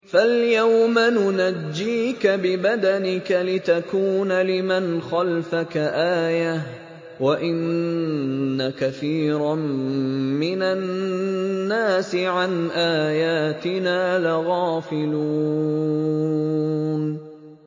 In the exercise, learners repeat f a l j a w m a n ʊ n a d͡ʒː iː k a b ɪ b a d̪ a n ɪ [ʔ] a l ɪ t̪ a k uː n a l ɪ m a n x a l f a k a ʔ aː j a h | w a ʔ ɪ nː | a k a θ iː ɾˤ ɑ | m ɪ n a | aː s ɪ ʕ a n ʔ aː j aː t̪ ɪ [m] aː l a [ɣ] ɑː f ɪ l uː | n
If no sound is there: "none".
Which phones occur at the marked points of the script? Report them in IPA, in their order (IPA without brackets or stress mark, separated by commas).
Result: k, n, ɣ